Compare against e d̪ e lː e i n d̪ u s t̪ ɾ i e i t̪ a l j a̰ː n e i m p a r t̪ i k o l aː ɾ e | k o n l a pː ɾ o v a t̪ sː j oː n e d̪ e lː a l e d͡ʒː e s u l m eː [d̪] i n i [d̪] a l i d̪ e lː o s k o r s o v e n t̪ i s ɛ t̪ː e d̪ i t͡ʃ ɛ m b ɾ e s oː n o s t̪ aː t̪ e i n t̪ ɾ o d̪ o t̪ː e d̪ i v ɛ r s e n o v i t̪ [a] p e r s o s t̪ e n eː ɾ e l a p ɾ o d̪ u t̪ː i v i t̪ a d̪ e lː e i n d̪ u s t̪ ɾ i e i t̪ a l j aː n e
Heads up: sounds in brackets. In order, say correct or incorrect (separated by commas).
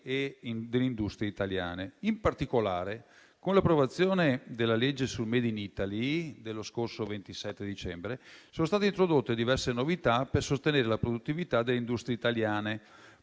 correct, incorrect, correct